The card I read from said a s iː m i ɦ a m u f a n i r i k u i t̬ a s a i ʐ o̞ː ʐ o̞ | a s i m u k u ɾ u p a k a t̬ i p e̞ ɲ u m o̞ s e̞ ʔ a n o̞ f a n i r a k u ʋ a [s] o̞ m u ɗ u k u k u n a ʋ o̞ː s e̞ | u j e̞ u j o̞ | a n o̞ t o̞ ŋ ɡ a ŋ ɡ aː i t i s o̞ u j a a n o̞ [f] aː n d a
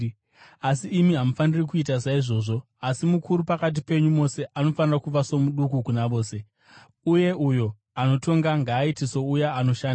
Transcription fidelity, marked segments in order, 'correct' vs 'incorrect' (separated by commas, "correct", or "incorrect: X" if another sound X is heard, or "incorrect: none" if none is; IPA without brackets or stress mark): correct, incorrect: ʃ